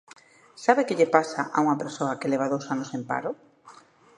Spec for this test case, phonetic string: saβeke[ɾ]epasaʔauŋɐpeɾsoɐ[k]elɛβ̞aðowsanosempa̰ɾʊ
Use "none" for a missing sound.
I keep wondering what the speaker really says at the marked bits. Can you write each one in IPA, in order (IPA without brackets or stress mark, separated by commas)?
ʎ, k